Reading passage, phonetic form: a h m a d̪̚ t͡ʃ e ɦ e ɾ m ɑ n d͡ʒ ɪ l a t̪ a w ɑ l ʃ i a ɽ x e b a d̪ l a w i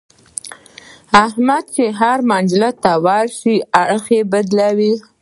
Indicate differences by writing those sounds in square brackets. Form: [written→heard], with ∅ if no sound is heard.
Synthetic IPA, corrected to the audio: a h m a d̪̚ t͡ʃ e ɦ [e→a] ɾ m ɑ n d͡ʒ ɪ l a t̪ a w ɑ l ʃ i a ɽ x e b a d̪ l a w i